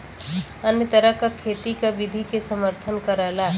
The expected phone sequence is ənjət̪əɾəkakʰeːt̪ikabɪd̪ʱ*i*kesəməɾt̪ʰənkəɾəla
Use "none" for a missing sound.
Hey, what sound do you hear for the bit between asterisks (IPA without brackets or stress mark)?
i